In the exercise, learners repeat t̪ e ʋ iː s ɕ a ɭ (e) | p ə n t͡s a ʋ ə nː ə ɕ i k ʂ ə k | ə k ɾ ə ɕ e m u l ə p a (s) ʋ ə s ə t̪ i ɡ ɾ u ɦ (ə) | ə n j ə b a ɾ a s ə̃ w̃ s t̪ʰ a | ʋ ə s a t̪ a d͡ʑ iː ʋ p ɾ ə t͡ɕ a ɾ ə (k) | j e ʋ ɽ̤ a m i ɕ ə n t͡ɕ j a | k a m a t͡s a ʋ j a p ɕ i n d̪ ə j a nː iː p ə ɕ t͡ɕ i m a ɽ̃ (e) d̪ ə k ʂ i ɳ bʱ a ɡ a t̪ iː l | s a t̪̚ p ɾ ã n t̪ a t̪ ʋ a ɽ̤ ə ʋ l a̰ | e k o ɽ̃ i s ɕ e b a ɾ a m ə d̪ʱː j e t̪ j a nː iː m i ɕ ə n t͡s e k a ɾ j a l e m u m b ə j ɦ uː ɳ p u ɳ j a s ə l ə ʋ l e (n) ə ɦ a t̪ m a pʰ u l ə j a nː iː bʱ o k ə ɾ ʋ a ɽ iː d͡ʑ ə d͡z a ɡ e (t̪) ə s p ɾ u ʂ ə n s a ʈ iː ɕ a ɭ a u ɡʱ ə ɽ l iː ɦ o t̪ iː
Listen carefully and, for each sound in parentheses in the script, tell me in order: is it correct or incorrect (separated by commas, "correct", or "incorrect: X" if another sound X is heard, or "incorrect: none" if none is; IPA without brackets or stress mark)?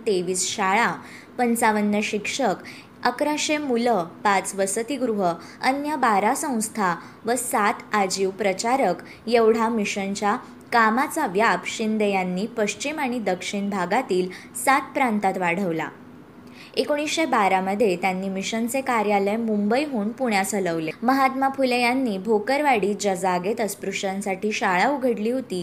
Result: incorrect: a, incorrect: t͡s, correct, correct, incorrect: i, incorrect: m, correct